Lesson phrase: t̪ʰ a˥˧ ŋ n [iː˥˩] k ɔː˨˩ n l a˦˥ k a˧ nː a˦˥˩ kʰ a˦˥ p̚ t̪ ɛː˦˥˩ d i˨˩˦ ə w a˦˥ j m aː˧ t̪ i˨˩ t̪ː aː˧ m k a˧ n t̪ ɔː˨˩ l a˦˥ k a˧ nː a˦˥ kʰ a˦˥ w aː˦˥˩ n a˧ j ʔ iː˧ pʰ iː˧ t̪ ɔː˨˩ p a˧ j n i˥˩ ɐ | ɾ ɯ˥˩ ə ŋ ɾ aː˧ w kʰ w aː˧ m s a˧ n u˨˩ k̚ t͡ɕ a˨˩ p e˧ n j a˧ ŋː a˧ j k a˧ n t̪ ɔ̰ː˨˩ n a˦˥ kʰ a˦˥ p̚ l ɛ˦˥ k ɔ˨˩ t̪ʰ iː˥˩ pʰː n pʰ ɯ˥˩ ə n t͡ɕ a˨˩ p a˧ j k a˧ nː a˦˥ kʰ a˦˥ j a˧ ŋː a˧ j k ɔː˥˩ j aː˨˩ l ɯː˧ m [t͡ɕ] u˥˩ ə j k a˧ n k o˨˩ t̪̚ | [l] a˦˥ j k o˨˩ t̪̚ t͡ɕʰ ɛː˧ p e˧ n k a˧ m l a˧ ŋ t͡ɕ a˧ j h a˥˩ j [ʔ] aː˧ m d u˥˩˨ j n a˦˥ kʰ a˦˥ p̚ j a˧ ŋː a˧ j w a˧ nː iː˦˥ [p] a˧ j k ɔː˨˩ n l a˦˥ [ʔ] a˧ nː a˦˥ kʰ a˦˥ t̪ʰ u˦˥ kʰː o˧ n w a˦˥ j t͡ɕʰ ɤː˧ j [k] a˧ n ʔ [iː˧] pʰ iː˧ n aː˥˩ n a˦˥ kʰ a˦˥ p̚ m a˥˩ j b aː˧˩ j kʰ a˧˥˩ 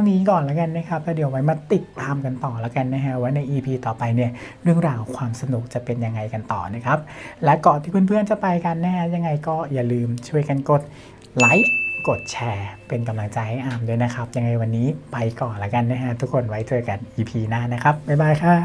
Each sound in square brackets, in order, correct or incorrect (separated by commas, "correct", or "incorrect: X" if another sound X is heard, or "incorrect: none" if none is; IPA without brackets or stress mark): incorrect: iː˦˥, incorrect: t͡ɕʰ, correct, correct, correct, incorrect: k, correct, correct